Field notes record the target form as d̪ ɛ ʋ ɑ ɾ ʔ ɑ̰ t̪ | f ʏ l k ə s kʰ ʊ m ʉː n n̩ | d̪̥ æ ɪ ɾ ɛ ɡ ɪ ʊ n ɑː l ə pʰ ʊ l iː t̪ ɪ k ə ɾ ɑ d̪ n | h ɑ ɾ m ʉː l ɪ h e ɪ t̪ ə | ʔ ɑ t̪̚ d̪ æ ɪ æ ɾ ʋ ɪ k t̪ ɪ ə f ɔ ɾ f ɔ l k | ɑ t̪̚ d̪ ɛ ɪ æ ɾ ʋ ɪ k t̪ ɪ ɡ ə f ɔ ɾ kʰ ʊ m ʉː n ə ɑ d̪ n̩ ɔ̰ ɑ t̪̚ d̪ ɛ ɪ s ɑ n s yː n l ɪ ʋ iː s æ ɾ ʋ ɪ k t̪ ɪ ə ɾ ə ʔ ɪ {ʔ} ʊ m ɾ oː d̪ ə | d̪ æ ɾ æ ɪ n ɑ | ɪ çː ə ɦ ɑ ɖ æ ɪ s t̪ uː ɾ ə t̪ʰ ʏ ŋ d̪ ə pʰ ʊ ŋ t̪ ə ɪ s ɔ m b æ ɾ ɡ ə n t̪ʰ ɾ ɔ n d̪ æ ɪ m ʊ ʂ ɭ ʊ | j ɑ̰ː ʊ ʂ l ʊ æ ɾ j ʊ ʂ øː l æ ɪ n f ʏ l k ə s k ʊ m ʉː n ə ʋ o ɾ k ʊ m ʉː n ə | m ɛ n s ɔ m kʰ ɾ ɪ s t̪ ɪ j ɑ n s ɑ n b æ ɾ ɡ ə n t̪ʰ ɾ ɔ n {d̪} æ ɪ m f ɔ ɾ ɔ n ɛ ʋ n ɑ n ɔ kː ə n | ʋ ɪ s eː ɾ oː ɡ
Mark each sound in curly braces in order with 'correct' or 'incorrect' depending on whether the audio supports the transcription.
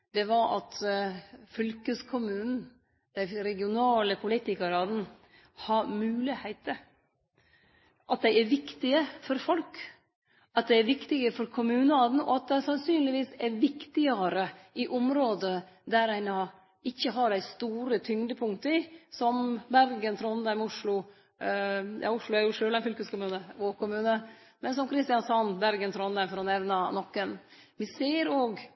correct, correct

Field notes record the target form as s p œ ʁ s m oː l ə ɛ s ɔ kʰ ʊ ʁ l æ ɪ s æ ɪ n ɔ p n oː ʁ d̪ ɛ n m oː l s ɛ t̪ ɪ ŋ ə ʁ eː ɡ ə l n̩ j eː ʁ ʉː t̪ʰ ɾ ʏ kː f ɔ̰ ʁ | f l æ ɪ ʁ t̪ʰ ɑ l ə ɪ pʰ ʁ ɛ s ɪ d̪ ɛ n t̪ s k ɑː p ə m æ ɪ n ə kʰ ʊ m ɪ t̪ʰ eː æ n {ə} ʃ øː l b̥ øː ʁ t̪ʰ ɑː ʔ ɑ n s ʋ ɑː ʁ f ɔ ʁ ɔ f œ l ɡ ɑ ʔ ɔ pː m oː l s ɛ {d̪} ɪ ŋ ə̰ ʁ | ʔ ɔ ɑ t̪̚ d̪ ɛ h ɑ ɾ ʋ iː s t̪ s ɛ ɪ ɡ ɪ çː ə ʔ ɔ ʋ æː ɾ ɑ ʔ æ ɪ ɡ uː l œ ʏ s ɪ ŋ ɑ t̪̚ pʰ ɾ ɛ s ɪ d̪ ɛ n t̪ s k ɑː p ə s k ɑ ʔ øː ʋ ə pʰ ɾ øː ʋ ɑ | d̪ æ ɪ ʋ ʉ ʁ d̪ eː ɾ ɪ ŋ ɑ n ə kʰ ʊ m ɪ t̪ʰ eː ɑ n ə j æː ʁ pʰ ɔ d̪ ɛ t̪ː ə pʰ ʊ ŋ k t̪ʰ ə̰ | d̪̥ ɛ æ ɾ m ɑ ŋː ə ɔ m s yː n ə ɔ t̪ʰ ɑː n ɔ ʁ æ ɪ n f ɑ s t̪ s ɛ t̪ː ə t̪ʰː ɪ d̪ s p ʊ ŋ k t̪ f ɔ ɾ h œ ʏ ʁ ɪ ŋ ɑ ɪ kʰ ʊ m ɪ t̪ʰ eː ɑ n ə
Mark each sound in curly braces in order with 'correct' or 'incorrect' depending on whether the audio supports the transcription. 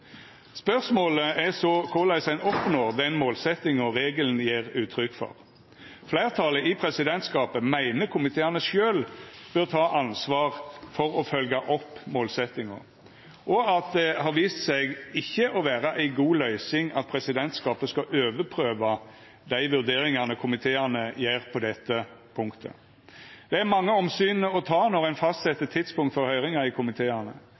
correct, incorrect

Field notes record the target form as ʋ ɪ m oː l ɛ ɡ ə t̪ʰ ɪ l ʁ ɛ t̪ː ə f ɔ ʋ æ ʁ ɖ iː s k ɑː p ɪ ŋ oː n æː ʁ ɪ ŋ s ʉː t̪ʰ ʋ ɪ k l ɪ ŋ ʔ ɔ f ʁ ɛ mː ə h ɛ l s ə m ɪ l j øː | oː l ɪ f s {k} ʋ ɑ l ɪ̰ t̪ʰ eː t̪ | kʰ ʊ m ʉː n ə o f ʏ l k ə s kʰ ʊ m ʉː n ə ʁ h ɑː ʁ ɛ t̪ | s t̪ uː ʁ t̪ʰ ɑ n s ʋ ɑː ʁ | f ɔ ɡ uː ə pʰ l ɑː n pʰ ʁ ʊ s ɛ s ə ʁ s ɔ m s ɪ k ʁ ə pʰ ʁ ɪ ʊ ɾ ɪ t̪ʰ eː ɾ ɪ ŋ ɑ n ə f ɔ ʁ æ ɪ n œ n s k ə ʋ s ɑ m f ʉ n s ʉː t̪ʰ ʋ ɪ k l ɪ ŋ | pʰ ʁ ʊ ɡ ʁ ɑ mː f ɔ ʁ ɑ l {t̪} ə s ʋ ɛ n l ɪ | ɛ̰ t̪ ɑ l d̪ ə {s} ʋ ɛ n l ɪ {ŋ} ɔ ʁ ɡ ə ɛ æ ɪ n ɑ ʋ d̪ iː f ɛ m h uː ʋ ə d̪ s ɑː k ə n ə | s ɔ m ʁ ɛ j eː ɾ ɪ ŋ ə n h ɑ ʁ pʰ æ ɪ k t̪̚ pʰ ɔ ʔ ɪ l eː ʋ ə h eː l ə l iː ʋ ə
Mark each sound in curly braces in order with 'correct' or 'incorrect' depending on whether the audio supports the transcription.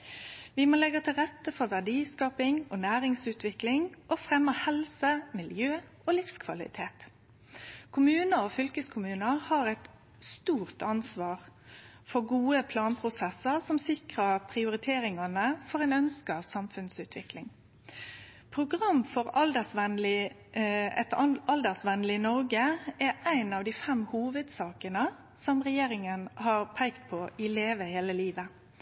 incorrect, incorrect, correct, incorrect

